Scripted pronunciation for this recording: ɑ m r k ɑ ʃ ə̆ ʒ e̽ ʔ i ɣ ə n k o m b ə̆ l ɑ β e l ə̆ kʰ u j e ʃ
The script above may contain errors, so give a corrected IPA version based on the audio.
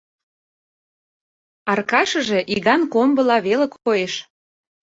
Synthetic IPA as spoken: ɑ r k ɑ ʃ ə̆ ʒ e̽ ʔ i ɣ ɑ n k o m b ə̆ l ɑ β e l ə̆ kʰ o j e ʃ